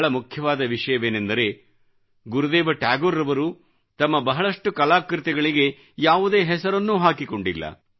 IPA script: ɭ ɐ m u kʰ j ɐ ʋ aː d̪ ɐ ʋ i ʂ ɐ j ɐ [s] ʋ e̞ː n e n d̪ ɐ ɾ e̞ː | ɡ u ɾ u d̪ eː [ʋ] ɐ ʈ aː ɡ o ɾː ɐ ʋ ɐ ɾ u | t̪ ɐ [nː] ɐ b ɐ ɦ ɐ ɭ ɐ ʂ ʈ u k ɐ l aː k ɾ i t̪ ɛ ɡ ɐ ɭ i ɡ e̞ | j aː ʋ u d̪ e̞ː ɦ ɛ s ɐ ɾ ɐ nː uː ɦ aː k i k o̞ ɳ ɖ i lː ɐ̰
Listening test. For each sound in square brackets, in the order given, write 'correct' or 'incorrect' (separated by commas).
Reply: incorrect, correct, incorrect